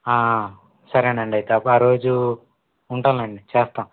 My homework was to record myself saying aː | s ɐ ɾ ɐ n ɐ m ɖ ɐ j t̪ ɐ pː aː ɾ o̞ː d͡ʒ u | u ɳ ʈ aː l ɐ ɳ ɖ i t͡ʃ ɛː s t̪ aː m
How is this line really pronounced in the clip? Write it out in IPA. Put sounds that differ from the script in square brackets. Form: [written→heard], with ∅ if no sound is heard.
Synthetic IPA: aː | s ɐ ɾ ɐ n ɐ [m→ɳ] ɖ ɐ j t̪ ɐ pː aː ɾ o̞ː d͡ʒ u | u ɳ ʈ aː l ɐ ɳ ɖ i t͡ʃ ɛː s t̪ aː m